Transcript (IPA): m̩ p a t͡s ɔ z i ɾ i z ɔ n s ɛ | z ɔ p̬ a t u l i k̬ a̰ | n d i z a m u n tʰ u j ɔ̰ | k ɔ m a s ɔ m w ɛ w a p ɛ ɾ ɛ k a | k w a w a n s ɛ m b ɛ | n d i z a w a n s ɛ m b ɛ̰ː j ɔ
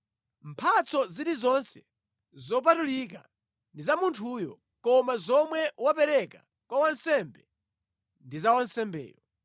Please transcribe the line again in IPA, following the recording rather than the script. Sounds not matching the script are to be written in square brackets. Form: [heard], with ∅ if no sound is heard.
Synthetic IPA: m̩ [pʰ] a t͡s ɔ z i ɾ i z ɔ n s ɛ | z ɔ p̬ a t u l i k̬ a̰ | n d i z a m u n tʰ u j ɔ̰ | k ɔ m a [z] ɔ m w ɛ w a p ɛ ɾ ɛ k a | k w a w a n s ɛ m b ɛ | n d i z a w a n s ɛ m b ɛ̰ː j ɔ